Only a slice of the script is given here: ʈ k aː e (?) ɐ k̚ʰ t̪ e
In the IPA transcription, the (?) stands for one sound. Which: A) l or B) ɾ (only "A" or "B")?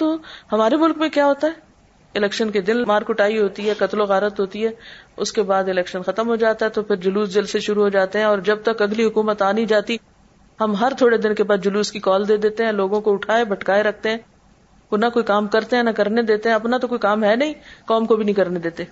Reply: B